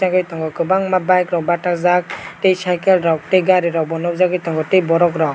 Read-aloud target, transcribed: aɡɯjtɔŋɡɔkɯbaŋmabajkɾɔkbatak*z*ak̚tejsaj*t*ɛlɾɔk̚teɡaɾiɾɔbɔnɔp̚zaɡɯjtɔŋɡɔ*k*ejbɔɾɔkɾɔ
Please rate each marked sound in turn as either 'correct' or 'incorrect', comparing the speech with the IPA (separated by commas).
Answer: correct, incorrect, incorrect